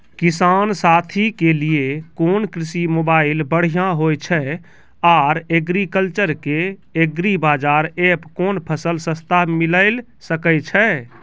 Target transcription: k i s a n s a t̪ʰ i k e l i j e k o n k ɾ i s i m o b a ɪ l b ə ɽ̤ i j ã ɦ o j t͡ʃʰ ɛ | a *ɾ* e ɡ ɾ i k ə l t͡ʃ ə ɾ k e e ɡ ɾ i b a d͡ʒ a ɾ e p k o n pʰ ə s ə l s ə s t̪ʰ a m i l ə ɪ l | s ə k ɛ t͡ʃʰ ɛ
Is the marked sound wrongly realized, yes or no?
no